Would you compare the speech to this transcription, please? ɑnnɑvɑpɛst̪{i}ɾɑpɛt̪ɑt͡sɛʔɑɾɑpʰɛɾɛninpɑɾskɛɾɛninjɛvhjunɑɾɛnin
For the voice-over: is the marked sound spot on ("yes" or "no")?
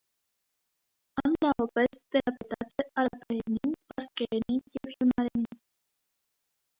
no